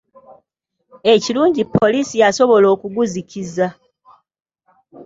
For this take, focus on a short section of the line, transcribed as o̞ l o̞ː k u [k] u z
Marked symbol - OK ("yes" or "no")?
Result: no